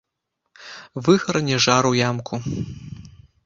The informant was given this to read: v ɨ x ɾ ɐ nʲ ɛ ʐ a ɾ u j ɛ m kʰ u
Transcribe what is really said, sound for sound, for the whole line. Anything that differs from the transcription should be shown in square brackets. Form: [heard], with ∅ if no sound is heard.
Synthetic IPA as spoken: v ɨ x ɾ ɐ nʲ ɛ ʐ a ɾ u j [a] m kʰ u